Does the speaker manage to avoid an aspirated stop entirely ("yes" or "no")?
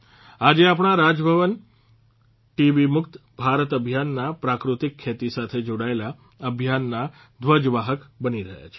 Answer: no